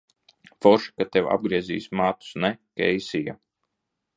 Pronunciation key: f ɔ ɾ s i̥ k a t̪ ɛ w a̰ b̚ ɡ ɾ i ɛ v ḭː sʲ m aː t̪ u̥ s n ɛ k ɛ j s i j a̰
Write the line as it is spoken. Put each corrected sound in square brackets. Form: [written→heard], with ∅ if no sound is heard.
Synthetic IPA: f ɔ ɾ [s→ʃ] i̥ k a t̪ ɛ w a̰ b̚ ɡ ɾ i ɛ [v→z] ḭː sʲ m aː t̪ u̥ s n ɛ k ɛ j s i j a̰